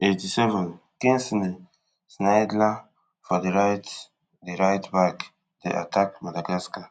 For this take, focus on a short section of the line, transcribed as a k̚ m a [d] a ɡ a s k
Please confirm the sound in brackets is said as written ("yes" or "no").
yes